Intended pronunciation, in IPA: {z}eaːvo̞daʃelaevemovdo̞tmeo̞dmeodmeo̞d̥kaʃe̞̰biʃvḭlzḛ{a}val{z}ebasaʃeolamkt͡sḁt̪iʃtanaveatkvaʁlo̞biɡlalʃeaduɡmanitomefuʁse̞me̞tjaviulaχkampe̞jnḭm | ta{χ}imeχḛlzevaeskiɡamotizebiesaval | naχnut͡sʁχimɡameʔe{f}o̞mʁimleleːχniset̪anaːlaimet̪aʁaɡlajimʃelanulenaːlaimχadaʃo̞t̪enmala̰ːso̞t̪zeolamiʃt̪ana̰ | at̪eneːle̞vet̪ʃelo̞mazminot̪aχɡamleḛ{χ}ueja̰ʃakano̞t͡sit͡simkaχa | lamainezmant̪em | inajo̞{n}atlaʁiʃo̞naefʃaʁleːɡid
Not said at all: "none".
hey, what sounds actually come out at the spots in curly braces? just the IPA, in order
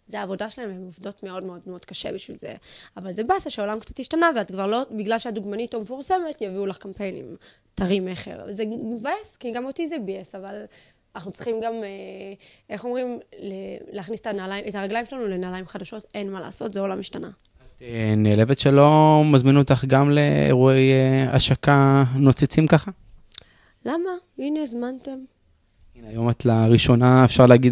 z, a, z, ʁ, χ, ʁ, m

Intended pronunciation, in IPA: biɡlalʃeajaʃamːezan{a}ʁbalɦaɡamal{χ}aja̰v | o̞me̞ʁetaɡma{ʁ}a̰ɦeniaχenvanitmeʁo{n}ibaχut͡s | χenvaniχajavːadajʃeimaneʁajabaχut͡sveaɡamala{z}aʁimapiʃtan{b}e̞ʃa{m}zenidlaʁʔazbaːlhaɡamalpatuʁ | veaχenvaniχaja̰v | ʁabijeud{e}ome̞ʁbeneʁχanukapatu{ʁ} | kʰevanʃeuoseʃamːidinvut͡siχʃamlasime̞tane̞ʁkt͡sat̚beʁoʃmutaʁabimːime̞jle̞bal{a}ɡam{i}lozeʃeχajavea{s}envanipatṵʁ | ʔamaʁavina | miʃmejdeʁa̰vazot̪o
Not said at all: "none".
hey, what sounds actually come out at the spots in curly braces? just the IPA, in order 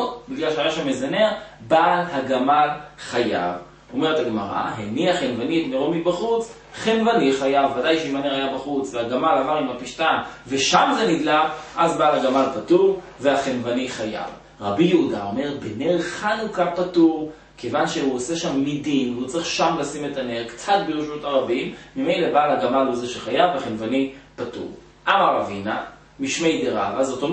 e, χ, ʁ, m, v, v, m, a, ʁ, a, a, χ

